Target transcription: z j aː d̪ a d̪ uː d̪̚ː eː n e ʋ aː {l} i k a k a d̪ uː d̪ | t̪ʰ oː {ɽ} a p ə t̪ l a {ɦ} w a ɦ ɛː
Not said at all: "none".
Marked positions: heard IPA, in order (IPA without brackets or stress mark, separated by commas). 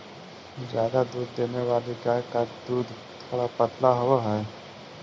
l, ɽ, ɦ